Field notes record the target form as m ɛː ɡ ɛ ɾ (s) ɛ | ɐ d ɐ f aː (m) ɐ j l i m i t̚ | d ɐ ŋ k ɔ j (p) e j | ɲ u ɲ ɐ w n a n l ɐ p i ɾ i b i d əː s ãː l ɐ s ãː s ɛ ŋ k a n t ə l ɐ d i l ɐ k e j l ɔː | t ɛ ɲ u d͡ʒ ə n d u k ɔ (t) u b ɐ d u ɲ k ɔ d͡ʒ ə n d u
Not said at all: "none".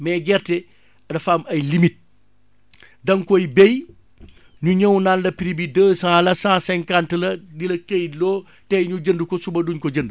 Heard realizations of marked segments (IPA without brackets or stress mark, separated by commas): t, m, b, s